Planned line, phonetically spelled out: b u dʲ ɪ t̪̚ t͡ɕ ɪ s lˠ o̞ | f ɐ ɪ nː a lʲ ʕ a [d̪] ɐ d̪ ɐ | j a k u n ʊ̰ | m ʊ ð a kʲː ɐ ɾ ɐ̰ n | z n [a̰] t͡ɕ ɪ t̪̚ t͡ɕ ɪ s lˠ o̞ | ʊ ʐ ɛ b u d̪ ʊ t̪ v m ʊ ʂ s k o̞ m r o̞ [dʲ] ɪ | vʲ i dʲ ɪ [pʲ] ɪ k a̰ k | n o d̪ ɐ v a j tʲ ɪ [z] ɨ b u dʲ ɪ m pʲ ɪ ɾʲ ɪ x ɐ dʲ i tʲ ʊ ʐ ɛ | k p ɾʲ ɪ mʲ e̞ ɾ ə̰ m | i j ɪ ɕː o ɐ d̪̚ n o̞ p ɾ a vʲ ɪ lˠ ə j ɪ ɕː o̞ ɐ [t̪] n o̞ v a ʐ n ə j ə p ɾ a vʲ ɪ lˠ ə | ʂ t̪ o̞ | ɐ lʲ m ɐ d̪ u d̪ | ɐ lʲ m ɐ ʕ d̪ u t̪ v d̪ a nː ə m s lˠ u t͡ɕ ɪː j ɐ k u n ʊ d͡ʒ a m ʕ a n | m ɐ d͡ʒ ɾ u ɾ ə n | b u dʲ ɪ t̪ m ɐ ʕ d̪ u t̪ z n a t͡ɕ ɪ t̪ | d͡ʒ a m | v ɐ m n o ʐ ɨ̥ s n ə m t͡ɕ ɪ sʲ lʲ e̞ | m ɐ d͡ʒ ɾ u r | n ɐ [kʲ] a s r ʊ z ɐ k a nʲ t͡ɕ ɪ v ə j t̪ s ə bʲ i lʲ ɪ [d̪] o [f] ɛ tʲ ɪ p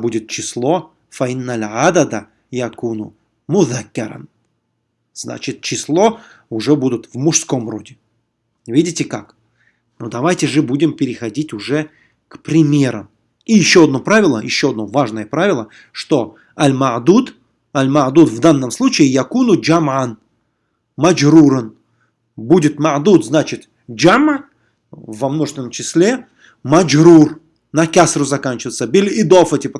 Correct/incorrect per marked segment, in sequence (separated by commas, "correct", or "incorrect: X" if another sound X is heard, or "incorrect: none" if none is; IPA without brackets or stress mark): correct, correct, correct, incorrect: tʲ, incorrect: ʐ, incorrect: d̪, correct, correct, correct